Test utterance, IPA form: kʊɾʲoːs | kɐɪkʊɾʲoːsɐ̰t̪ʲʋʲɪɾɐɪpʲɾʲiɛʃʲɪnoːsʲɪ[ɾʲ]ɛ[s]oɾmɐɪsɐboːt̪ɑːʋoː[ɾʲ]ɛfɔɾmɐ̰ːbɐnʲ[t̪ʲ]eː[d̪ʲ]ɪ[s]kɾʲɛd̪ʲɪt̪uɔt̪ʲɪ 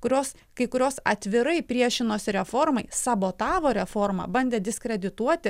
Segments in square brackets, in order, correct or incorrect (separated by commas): correct, incorrect, correct, incorrect, correct, correct